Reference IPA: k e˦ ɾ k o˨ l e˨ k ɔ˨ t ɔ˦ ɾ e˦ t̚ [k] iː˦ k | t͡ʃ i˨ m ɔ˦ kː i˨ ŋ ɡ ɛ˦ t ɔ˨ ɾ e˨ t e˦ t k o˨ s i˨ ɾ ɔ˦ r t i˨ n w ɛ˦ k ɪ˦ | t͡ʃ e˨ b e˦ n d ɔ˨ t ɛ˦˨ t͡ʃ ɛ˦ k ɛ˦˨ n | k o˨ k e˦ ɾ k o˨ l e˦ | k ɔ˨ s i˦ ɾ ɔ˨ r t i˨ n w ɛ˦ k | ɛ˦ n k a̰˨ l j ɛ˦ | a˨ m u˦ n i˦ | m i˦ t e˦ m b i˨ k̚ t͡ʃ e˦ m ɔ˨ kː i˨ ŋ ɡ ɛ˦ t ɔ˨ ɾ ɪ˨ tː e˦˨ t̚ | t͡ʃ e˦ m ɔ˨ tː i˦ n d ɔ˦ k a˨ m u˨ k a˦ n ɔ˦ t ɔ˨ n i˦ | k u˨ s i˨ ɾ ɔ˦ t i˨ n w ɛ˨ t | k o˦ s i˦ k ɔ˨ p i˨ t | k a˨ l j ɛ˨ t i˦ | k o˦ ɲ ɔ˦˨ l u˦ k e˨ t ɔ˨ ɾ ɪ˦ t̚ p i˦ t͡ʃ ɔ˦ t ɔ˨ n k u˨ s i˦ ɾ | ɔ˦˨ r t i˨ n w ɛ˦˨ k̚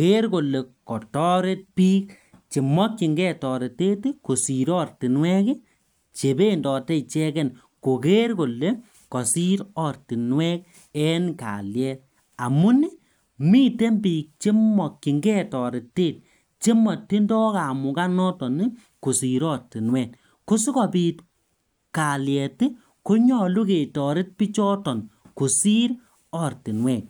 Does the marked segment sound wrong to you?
yes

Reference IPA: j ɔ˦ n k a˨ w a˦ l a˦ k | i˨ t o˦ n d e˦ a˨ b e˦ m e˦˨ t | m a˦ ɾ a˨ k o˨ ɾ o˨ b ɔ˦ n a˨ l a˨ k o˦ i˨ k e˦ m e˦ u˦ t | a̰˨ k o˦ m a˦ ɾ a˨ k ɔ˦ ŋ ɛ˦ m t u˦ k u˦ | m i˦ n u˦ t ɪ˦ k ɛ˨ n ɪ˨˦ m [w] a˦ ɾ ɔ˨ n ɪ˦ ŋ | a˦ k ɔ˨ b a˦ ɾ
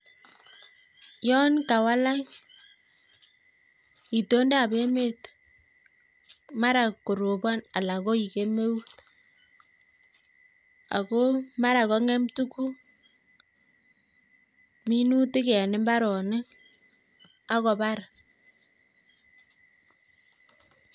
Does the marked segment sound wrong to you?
yes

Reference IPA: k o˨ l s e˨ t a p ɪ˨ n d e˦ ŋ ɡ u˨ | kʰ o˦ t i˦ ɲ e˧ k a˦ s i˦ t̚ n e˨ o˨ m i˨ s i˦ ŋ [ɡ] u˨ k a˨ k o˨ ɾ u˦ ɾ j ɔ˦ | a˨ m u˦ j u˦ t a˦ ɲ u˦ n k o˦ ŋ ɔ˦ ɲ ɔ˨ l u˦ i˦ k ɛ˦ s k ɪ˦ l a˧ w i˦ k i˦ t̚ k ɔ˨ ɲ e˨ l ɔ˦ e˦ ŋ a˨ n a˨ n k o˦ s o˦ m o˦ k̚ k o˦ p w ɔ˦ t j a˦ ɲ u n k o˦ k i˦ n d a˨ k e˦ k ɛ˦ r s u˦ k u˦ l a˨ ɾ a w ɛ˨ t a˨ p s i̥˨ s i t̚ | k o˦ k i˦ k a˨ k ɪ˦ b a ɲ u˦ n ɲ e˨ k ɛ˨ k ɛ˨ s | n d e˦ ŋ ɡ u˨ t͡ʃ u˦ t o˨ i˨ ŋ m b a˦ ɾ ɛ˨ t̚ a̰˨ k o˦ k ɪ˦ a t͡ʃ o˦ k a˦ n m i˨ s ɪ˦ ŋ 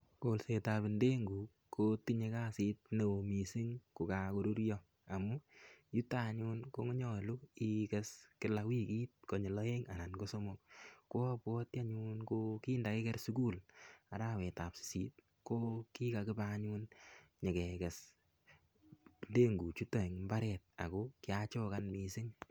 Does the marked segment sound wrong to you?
yes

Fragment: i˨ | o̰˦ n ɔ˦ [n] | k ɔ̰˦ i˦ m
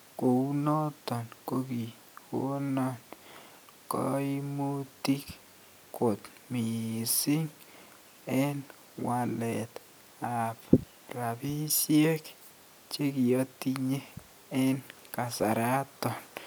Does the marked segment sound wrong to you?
no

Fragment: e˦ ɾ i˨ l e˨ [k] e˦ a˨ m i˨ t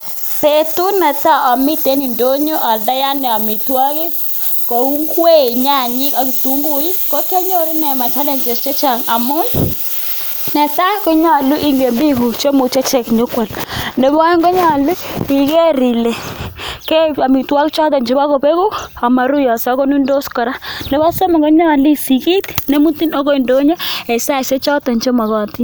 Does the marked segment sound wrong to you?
no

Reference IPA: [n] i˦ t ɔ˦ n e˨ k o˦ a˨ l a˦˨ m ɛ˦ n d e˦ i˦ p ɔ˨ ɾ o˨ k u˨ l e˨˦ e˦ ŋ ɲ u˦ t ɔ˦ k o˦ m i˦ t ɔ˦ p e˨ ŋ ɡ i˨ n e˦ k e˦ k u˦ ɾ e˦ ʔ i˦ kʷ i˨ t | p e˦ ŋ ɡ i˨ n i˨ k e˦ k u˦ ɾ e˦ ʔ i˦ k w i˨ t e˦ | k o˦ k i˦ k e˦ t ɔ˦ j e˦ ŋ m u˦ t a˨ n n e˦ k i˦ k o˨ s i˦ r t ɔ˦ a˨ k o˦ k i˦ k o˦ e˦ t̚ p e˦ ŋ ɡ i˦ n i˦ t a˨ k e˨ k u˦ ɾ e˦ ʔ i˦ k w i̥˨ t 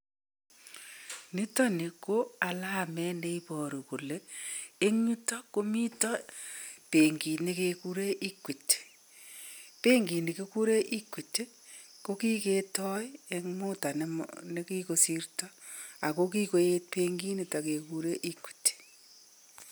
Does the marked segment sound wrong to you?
no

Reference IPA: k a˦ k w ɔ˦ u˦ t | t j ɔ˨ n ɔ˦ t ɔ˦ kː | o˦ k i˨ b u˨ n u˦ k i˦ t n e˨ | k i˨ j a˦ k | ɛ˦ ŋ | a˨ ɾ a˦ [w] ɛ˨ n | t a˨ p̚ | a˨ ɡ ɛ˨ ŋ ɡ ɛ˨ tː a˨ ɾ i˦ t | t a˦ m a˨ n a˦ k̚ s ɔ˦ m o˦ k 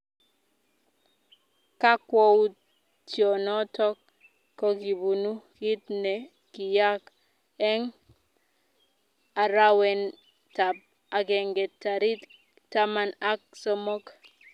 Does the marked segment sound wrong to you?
no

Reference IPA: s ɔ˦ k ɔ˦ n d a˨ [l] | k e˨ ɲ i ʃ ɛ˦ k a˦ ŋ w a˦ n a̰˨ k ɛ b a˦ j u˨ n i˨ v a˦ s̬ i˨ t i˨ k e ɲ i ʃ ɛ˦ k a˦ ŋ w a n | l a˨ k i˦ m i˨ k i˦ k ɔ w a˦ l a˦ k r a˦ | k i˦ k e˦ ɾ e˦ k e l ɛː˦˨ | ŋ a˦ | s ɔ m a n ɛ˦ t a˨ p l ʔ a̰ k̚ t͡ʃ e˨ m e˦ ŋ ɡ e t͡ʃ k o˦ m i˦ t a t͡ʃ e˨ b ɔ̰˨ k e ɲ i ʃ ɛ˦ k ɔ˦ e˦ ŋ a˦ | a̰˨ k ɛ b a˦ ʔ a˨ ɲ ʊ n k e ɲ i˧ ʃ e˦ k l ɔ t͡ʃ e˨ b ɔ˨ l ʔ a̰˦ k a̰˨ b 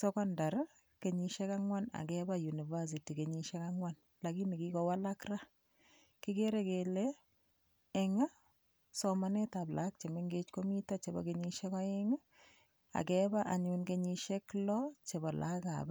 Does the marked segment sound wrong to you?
yes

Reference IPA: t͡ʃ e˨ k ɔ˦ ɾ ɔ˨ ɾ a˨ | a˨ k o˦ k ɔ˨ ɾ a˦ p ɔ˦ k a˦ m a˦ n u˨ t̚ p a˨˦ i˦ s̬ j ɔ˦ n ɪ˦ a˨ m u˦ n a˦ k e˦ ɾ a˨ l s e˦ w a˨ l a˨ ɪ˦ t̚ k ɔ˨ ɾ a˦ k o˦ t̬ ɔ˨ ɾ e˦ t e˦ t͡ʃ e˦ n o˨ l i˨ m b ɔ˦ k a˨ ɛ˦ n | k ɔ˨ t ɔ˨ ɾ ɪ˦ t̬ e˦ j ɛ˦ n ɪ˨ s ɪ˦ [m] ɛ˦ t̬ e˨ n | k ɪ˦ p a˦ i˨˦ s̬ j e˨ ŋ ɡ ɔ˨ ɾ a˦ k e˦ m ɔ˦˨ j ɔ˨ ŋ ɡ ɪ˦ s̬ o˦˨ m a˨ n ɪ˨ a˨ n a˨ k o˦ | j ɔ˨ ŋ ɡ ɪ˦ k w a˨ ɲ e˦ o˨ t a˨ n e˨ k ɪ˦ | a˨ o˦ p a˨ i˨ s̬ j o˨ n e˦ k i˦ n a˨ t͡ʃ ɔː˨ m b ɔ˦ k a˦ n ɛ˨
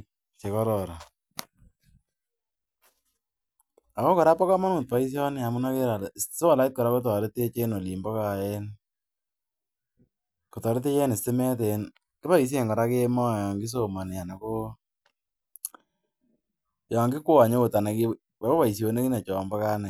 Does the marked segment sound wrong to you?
no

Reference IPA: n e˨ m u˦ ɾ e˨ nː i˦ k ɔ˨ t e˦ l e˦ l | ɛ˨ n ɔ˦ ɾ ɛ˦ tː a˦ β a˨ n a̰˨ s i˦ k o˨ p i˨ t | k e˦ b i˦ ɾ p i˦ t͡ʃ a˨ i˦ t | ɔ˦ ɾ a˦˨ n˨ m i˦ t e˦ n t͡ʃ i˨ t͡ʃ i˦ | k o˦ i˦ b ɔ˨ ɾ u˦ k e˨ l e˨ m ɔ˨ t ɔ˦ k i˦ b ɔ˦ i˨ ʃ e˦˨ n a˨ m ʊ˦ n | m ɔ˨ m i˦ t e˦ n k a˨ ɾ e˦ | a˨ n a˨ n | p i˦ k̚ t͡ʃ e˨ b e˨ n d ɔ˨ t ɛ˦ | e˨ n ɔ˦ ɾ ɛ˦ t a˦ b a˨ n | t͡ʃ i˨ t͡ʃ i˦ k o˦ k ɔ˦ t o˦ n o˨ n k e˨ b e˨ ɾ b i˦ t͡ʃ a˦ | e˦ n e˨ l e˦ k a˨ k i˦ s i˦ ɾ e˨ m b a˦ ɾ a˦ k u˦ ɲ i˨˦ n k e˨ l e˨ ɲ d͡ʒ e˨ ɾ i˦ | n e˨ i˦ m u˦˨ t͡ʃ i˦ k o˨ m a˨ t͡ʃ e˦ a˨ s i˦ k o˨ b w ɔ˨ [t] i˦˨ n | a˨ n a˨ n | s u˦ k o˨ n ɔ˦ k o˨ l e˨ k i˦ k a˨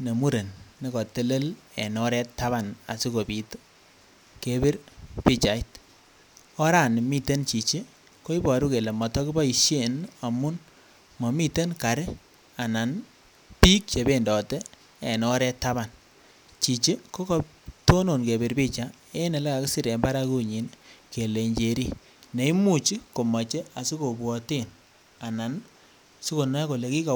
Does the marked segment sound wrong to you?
no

